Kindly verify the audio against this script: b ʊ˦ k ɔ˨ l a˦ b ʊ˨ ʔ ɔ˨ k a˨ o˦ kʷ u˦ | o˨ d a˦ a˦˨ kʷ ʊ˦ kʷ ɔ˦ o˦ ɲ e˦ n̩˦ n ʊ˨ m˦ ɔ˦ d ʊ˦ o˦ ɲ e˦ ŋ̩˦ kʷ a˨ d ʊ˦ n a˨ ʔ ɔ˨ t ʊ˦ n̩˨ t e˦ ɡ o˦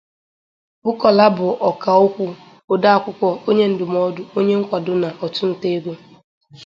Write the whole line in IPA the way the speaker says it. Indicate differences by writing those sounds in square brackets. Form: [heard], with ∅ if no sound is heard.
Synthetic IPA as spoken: b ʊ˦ k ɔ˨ l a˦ b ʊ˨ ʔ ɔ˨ k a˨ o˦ kʷ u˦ | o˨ d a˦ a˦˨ kʷ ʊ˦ kʷ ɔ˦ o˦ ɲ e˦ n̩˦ [d] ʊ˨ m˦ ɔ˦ d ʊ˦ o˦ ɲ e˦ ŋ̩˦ kʷ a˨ d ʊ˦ n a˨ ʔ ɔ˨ t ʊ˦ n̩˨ t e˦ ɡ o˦